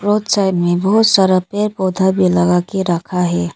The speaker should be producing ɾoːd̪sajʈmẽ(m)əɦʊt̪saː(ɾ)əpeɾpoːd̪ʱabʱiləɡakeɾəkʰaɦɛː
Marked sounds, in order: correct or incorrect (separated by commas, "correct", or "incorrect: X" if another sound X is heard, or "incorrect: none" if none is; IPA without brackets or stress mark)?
incorrect: b, correct